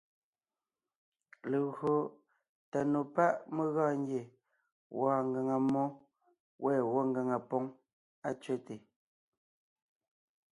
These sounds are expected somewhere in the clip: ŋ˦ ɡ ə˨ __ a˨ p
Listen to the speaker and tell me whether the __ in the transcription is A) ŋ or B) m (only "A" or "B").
A